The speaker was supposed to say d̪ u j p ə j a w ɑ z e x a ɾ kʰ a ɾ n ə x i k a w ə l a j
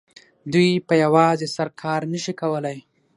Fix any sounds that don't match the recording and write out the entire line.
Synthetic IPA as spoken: d̪ u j p ə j a w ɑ z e s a ɾ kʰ ɑ ɾ n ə ʃ i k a w ə l a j